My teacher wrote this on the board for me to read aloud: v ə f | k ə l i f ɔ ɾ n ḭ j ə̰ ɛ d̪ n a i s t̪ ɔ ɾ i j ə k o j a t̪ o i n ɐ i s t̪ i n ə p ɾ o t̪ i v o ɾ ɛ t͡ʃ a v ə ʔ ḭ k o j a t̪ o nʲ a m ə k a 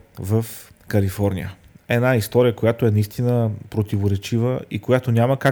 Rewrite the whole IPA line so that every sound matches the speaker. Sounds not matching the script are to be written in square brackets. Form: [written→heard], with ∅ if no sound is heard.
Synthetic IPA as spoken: v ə f | k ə l i f ɔ ɾ n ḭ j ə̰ ɛ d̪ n a i s t̪ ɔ ɾ i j ə k o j a t̪ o [i→ɛ] n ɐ i s t̪ i n ə p ɾ o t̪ i v o ɾ ɛ t͡ʃ [a→i] v ə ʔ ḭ k o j a t̪ o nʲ a m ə k a